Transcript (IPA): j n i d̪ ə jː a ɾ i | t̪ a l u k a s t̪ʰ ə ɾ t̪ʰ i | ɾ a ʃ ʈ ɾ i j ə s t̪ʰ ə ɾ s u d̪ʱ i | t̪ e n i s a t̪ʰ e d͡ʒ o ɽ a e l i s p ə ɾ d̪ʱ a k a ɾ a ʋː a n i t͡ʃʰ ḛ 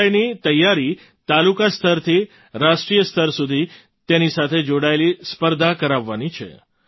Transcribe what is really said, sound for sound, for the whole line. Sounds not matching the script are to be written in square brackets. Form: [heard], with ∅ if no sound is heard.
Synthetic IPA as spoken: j n i [t̪] ə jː a ɾ i | t̪ a l u k a s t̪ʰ ə ɾ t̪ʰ i | ɾ a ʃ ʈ ɾ i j ə s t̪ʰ ə ɾ s u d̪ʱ i | t̪ e n i s a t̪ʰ e d͡ʒ o ɽ a e l i s p ə ɾ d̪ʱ a k [ə] ɾ a ʋː a n i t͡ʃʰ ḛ